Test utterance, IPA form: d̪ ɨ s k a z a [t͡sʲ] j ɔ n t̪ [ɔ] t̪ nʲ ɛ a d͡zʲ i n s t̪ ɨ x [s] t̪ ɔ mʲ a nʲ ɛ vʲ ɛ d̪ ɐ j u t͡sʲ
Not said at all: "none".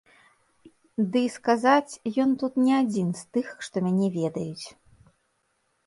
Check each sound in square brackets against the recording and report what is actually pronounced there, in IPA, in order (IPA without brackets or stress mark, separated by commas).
t͡sʲ, u, ʂ